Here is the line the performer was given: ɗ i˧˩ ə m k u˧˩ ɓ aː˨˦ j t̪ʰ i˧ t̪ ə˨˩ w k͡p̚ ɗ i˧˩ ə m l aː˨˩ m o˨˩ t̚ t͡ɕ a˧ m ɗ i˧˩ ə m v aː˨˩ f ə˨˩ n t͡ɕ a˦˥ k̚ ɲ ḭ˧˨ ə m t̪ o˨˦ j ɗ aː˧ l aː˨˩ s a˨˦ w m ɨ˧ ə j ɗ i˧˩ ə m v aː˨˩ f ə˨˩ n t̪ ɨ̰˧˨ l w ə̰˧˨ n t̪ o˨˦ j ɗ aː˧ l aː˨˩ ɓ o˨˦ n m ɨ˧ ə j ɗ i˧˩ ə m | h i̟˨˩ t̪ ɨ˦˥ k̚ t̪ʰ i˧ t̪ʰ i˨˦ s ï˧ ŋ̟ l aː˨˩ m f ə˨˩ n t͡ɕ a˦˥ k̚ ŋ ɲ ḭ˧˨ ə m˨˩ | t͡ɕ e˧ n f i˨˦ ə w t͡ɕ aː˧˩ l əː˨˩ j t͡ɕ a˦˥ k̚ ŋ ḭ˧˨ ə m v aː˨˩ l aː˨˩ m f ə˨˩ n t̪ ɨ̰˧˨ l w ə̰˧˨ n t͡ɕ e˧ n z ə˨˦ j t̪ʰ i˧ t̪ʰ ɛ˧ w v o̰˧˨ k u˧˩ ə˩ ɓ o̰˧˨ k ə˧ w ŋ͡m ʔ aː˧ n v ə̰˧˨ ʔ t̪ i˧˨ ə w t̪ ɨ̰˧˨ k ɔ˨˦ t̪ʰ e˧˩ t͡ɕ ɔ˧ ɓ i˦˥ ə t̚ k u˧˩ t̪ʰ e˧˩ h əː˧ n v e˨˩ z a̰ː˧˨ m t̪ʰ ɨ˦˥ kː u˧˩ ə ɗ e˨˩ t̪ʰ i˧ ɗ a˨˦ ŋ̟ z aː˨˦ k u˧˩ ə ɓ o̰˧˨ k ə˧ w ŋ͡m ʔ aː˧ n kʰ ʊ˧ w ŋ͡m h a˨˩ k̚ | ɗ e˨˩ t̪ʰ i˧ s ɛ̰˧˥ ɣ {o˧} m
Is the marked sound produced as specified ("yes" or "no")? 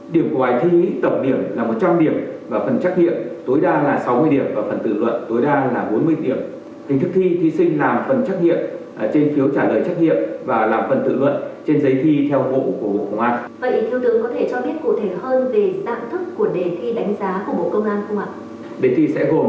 no